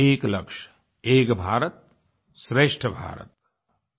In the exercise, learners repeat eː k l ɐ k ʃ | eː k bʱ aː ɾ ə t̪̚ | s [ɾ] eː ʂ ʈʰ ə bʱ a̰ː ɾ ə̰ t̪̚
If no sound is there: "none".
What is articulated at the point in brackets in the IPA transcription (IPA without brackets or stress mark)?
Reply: ɾ